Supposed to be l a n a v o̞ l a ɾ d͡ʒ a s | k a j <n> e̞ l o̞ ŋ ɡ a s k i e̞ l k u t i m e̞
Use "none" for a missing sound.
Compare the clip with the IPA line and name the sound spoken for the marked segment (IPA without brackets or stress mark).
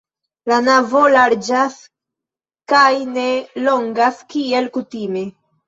n